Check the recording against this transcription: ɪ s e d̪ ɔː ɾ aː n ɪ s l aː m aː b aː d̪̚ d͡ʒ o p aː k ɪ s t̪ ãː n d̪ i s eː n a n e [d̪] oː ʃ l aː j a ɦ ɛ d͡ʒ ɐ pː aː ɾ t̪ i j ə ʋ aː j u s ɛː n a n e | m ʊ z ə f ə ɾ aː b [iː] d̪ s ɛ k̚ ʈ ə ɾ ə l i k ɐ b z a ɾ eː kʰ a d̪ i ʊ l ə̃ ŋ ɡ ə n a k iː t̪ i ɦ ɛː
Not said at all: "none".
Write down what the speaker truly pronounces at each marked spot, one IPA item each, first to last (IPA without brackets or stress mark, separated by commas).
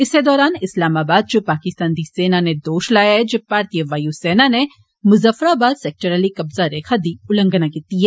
d̪, aː